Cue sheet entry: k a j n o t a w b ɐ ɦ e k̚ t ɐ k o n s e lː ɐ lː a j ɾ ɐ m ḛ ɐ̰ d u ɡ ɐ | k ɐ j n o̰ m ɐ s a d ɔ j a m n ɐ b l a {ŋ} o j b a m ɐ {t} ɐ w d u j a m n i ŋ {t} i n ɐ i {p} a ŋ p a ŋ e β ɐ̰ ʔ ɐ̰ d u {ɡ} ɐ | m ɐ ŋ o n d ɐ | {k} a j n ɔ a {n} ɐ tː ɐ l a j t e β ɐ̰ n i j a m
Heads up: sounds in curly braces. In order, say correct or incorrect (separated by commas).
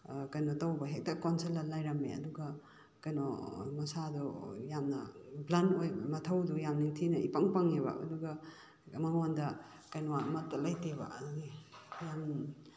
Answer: incorrect, incorrect, incorrect, correct, correct, correct, incorrect